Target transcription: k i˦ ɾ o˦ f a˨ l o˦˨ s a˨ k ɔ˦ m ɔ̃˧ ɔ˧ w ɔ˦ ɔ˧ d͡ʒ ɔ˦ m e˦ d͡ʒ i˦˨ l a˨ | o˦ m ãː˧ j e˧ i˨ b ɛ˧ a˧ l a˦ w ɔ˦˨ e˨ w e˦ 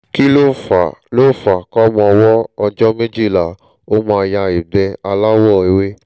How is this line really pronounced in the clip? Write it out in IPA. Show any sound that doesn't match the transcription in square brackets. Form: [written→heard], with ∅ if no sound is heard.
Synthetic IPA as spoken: k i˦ [ɾ→l] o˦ f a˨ l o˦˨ [s→f] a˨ k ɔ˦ m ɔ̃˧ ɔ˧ w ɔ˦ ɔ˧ d͡ʒ ɔ˦ m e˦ d͡ʒ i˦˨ l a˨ | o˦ m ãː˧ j [e˧→a˧] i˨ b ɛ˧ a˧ l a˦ w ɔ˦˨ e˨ w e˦